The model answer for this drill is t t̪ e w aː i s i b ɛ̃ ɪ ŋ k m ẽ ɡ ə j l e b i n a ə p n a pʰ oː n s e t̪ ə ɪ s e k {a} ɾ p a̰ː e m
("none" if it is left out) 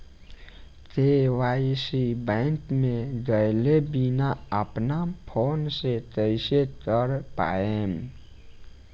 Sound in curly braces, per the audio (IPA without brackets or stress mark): ə